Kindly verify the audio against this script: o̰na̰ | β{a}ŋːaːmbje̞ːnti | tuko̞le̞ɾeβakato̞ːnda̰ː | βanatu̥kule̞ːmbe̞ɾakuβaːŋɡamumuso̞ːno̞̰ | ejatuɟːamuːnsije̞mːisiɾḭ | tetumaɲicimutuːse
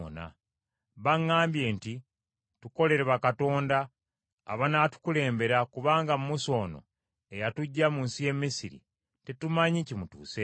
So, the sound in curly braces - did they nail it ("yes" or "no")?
yes